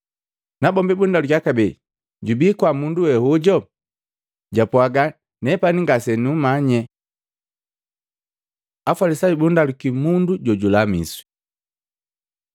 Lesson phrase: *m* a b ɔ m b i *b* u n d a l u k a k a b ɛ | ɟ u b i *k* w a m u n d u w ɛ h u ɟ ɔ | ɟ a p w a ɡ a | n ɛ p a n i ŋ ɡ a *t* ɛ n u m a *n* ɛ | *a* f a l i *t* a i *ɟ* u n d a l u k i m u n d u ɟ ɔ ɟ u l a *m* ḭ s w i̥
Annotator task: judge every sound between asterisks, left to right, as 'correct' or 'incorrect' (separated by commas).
incorrect, correct, correct, incorrect, incorrect, correct, incorrect, incorrect, correct